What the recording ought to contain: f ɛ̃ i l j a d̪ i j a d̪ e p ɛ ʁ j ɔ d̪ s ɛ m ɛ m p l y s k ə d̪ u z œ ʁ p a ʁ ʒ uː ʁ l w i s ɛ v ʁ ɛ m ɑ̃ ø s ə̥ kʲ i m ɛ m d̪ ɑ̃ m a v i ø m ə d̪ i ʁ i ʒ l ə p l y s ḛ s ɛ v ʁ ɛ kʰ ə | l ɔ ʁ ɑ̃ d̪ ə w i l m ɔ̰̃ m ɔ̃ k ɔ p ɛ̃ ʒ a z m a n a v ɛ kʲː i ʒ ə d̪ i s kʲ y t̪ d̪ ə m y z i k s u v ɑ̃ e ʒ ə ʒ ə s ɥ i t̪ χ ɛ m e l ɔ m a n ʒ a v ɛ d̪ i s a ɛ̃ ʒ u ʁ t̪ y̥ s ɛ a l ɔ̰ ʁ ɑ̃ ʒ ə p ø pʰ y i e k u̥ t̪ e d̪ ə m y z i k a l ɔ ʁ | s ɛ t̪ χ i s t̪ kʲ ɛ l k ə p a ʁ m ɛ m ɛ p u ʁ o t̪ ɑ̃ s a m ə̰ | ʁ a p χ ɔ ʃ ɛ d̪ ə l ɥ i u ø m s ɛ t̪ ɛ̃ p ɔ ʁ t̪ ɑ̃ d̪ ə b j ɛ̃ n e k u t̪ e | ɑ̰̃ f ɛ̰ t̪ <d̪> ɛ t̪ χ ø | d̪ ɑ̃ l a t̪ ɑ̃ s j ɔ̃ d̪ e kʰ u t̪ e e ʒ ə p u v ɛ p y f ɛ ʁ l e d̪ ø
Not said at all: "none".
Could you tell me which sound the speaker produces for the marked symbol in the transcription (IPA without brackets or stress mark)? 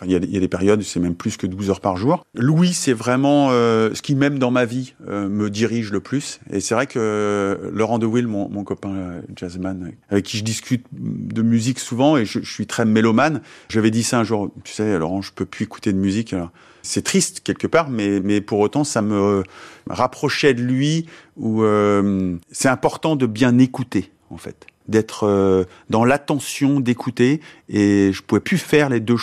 d̪